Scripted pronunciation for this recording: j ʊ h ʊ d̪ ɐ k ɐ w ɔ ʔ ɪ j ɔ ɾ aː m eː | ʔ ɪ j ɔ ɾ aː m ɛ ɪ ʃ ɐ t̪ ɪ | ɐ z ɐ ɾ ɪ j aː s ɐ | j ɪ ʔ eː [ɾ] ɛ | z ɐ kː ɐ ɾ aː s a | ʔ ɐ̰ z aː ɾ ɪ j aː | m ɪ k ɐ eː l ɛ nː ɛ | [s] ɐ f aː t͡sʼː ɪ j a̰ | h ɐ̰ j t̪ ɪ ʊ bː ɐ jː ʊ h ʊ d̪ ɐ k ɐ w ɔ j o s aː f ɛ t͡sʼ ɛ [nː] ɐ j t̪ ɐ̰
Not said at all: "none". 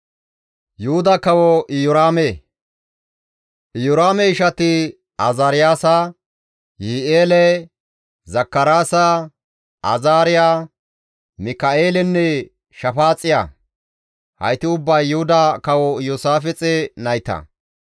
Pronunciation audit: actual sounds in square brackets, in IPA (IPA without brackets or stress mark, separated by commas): l, ʃ, n